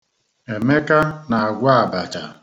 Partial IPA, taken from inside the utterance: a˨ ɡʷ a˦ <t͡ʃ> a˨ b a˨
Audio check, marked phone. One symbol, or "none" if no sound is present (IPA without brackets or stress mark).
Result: none